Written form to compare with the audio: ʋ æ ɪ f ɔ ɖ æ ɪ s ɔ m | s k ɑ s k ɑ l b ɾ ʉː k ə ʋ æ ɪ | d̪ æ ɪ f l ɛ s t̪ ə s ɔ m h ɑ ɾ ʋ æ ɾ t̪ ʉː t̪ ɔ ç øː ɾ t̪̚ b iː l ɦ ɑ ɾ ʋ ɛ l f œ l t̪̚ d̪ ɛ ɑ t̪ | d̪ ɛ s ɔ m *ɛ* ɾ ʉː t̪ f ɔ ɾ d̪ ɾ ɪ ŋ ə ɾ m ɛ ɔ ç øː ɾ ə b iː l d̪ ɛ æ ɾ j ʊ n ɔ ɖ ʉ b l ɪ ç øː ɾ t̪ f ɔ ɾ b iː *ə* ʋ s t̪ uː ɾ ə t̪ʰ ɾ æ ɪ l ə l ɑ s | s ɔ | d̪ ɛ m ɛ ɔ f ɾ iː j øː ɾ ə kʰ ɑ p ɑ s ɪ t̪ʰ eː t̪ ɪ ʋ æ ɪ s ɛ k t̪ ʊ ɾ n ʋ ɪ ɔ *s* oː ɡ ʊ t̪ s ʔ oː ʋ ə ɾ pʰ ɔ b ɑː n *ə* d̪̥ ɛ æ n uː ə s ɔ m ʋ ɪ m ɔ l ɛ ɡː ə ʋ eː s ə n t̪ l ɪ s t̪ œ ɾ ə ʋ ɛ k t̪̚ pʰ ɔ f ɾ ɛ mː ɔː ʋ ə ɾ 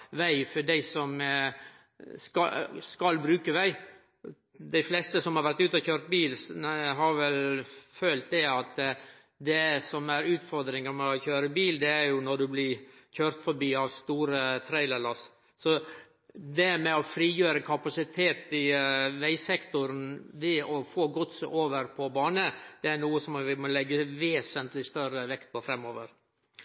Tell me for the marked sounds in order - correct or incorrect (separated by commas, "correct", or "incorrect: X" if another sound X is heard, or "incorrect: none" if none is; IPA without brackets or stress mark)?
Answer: incorrect: æ, incorrect: ɑ, incorrect: f, correct